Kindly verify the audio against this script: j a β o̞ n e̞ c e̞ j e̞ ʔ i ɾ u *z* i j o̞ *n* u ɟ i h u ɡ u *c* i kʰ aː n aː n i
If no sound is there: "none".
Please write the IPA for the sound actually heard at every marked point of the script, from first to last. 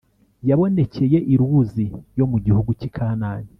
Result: z, m, c

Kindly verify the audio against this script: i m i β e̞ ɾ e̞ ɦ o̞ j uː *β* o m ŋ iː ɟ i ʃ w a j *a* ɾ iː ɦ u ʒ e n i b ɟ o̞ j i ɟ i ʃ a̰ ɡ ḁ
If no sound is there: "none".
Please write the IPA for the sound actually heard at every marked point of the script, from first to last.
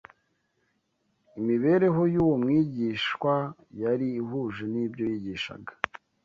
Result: w, a

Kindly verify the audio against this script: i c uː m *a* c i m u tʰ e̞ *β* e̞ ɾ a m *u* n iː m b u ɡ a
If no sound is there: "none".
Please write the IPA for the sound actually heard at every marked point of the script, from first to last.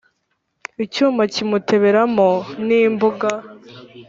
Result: a, β, o

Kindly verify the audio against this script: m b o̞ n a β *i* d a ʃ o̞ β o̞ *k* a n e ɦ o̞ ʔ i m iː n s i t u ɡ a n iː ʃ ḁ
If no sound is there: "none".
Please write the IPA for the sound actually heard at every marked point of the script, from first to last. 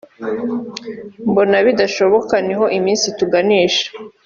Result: i, k

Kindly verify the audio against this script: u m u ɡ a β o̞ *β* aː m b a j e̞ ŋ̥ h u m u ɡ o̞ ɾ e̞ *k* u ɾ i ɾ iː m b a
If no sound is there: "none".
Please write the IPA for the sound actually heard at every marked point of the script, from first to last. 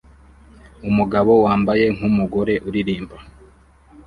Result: w, ʔ

